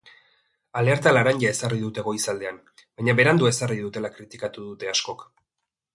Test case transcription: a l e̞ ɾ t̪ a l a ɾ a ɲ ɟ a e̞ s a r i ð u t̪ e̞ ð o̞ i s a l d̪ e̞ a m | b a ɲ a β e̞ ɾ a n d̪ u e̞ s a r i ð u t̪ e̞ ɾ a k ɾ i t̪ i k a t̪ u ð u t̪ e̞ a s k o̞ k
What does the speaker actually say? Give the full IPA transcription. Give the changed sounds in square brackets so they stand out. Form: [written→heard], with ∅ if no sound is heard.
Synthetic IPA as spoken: a l e̞ ɾ t̪ a l a ɾ a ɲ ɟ a e̞ s a r i ð u t̪ e̞ [ð→ɣ] o̞ i s a l d̪ e̞ a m | b a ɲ a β e̞ ɾ a n d̪ u e̞ s a r i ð u t̪ e̞ [ɾ→l] a k ɾ i t̪ i k a t̪ u ð u t̪ e̞ a s k o̞ k